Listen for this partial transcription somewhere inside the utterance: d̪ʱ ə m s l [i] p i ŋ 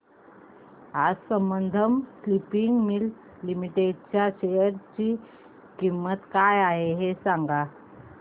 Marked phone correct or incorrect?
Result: correct